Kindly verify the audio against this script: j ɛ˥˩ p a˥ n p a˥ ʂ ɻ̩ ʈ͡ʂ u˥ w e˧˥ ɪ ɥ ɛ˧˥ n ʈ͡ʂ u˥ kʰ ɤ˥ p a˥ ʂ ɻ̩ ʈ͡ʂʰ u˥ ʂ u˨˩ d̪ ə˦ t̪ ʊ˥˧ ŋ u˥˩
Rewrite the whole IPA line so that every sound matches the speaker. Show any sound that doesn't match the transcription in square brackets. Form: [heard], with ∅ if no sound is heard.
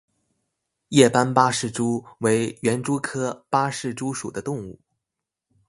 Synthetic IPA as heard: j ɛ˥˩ p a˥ n p a˥ ʂ ɻ̩ ʈ͡ʂ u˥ w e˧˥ ɪ ɥ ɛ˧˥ n ʈ͡ʂ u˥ kʰ ɤ˥ p a˥ ʂ ɻ̩ [ʈ͡ʂ] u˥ ʂ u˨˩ d̪ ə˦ t̪ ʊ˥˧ ŋ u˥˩